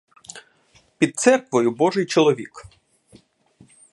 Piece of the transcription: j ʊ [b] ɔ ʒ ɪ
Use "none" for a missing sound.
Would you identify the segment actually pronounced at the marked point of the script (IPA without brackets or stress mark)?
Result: b